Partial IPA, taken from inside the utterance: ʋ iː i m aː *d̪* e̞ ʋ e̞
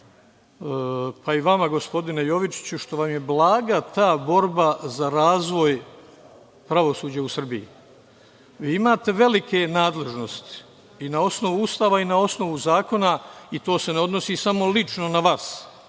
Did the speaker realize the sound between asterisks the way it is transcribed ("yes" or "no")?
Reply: no